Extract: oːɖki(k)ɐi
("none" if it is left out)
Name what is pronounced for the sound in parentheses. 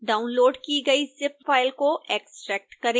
ɡ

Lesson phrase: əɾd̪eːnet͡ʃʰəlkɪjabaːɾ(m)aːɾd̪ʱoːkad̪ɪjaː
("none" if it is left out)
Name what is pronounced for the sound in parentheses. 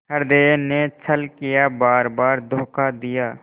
b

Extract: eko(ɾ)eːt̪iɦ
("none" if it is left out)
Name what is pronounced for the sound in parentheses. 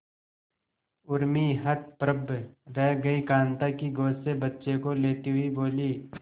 l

